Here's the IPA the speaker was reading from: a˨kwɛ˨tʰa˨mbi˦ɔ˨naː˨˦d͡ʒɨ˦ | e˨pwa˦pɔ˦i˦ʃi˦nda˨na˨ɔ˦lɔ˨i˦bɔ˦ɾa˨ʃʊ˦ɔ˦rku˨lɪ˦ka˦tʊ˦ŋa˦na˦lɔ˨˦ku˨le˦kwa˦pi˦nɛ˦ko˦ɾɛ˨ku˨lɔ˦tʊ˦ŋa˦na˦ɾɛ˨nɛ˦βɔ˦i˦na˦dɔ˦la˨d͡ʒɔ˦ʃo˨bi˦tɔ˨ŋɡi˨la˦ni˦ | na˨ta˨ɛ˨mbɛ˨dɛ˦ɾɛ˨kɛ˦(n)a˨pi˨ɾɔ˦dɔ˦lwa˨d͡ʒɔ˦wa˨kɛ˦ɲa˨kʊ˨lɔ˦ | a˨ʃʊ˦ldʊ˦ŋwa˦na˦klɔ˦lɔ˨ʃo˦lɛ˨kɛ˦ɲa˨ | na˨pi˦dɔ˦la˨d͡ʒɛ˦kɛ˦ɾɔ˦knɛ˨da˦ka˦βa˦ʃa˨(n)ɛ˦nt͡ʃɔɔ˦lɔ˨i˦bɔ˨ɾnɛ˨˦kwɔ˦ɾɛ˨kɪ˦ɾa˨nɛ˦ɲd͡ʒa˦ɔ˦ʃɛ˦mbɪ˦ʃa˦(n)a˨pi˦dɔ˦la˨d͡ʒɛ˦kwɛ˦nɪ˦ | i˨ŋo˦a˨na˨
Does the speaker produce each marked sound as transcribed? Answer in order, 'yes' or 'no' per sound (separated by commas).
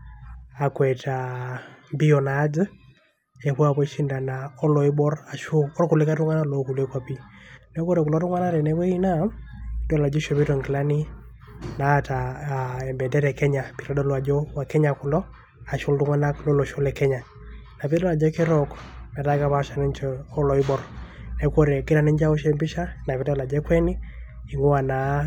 no, yes, yes